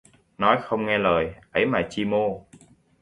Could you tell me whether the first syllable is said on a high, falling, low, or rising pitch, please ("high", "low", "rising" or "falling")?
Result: rising